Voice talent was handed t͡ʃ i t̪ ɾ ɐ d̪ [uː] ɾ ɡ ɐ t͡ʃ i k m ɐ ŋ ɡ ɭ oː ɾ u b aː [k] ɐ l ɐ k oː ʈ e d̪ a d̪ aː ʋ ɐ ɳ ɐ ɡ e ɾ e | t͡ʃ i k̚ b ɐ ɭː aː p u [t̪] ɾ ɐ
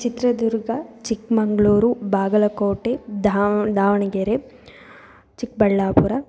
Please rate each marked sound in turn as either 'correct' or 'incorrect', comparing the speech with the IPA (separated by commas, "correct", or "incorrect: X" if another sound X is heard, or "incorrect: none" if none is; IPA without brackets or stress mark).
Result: incorrect: u, incorrect: ɡ, incorrect: none